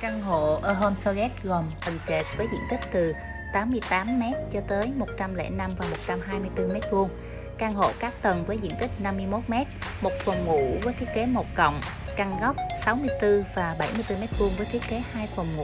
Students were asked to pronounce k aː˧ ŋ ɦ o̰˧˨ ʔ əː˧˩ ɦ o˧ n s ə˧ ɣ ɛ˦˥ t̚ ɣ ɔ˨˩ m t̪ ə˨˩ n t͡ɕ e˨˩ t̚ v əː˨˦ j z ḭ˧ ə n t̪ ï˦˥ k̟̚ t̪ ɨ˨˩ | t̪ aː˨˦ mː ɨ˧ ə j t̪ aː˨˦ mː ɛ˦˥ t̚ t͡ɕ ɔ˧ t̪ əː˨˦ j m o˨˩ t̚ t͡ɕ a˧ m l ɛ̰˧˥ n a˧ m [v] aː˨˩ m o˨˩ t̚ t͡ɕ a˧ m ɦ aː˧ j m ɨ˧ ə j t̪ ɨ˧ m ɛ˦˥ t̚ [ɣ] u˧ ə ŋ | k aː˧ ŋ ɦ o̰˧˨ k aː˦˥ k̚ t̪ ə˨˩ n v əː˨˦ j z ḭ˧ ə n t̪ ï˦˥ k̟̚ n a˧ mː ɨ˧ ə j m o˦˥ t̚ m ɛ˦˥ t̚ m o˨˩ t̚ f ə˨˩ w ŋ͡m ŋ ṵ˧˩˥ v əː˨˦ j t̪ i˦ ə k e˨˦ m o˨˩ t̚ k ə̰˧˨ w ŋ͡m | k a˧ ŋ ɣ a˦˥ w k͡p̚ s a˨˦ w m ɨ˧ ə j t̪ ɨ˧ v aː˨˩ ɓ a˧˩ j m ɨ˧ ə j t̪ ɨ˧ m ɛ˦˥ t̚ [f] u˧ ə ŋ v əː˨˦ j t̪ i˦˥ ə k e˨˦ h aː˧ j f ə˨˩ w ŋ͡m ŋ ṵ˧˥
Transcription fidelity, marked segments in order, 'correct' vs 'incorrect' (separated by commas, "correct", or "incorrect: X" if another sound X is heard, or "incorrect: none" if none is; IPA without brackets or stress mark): correct, incorrect: v, incorrect: v